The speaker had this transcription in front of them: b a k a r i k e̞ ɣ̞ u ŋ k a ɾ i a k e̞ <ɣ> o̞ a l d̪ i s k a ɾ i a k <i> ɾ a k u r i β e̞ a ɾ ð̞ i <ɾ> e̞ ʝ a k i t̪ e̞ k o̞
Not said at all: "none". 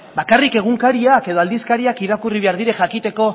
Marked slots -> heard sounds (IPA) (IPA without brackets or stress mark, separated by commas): ð, i, ɾ